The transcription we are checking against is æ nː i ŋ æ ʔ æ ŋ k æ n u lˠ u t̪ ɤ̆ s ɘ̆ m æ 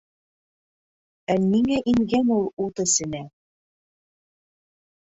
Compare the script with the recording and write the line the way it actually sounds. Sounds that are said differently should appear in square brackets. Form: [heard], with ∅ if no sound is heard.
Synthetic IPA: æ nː i ŋ æ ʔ [i] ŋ [ɡ] æ n u lˠ u t̪ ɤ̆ s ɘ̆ [n] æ